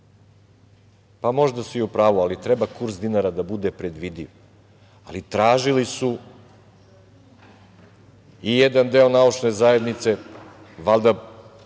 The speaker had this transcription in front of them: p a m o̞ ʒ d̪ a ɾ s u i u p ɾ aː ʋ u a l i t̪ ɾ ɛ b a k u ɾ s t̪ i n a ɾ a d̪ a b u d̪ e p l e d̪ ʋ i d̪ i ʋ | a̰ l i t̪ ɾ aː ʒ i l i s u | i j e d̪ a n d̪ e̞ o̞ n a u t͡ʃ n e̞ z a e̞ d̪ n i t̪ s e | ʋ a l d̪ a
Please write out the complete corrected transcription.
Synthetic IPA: p a m o̞ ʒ d̪ a s u i u p ɾ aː ʋ u a l i t̪ ɾ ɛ b a k u ɾ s d̪ i n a ɾ a d̪ a b u d̪ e p ɾ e d̪ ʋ i d̪ i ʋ | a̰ l i t̪ ɾ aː ʒ i l i s u | i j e d̪ a n d̪ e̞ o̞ n a u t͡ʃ n e̞ z a e̞ d̪ n i t̪ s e | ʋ a l d̪ a